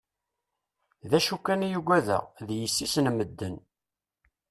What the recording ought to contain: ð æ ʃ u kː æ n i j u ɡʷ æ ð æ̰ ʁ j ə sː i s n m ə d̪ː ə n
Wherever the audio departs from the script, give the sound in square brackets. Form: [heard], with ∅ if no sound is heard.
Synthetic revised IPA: ð æ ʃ u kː æ n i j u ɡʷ æ ð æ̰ [ð] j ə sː i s n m ə d̪ː ə n